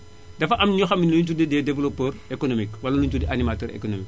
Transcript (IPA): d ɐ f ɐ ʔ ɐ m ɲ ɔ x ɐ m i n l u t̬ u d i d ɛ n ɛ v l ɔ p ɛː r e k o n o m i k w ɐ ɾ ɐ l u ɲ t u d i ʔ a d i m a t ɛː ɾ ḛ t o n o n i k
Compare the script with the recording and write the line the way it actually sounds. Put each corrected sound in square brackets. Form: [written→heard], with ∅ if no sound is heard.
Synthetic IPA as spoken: d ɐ f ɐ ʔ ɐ m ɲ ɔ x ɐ m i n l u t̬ u d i d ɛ [n→d] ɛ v l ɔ p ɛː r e k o n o m i k w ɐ [ɾ→l] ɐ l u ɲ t u d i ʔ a [d→n] i m a t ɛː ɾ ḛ [t→k] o n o [n→m] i k